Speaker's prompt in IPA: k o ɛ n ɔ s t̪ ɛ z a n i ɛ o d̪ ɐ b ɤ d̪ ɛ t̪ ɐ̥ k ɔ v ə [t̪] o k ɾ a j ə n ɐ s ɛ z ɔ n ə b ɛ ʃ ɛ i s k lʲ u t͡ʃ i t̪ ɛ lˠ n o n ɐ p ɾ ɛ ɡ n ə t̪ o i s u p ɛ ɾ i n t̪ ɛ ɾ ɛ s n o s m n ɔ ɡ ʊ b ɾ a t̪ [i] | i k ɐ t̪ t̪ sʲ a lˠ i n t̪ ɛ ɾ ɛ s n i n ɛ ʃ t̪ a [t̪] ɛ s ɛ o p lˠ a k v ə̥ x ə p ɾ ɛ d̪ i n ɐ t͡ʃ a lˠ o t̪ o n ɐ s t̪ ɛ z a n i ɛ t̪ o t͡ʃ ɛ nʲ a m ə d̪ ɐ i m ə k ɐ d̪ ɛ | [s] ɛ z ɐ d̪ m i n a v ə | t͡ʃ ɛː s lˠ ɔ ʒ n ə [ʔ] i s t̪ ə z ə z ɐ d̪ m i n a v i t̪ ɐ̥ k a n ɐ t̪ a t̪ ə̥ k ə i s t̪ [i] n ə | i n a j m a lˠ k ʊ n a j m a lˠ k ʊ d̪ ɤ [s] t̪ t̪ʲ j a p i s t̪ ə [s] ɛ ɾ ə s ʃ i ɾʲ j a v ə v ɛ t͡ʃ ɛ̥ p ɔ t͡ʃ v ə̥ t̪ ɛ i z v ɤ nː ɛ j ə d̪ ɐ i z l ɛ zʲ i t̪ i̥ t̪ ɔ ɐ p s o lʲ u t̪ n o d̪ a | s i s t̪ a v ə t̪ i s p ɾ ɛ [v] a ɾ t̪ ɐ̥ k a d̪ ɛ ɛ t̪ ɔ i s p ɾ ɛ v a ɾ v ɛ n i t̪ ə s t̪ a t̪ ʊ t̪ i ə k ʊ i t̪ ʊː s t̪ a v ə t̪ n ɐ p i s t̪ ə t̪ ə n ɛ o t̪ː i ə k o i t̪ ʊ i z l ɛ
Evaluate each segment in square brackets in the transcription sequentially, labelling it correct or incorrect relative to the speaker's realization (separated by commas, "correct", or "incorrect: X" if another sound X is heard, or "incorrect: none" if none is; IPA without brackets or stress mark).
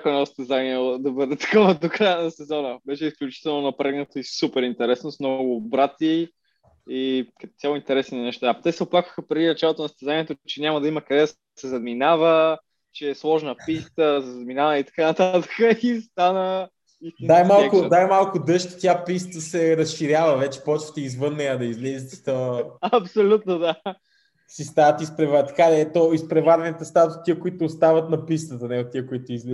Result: incorrect: d̪, correct, correct, correct, incorrect: p, incorrect: a, incorrect: ʃ, correct, correct